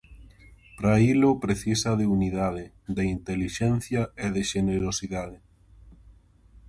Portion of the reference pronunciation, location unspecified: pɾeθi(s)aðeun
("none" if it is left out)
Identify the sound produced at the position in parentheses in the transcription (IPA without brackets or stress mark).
s